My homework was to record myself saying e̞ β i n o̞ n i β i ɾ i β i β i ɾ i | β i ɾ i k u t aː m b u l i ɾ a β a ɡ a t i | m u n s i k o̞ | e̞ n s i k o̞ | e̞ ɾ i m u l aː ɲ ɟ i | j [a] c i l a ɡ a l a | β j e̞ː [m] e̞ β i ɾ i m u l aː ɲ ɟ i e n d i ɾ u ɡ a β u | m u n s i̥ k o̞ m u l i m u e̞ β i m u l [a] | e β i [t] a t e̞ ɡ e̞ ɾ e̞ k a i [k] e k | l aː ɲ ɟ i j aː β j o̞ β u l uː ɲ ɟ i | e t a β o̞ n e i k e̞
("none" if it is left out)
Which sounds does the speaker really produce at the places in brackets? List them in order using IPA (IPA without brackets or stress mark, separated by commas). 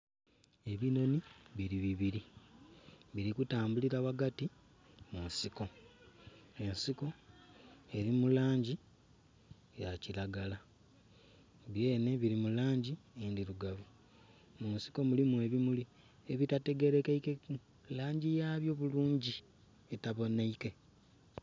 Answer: a, n, i, t, k